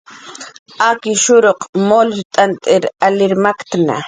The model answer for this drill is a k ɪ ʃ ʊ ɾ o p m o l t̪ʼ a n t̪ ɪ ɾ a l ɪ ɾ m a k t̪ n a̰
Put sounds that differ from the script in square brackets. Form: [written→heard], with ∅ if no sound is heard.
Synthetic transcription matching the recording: a k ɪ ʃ ʊ ɾ o [p→q] m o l t̪ʼ a n [t̪→t̪ʼ] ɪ ɾ a l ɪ ɾ m a k t̪ n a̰